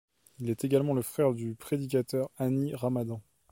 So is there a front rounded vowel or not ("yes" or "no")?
yes